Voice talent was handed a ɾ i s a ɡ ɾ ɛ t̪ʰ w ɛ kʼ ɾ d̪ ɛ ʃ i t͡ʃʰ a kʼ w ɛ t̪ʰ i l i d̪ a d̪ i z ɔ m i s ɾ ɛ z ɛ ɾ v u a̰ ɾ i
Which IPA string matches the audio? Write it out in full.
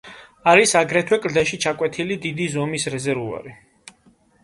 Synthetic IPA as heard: a ɾ i s a ɡ ɾ ɛ t̪ʰ w ɛ kʼ ɾ d̪ ɛ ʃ i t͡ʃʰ a kʼ w ɛ t̪ʰ i l i d̪ i d̪ i z ɔ m i s ɾ ɛ z ɛ ɾ v u a̰ ɾ i

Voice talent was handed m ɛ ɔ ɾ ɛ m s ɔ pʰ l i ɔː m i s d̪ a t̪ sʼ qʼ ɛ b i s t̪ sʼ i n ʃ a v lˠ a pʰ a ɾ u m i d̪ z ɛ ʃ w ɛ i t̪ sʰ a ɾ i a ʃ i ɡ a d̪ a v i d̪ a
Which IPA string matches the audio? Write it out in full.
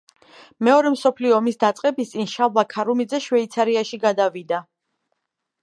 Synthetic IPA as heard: m ɛ ɔ ɾ ɛ m s ɔ pʰ l i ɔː m i s d̪ a t̪ sʼ qʼ ɛ b i s t̪ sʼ i n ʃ a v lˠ a kʰ a ɾ u m i d̪ z ɛ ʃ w ɛ i t̪ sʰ a ɾ i a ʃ i ɡ a d̪ a v i d̪ a

